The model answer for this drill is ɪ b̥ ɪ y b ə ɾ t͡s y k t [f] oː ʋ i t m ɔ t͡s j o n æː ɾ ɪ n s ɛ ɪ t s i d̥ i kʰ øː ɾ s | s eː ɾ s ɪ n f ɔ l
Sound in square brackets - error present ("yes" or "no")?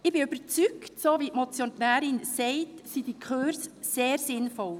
yes